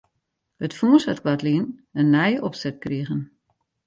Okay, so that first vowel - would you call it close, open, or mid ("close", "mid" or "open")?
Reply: mid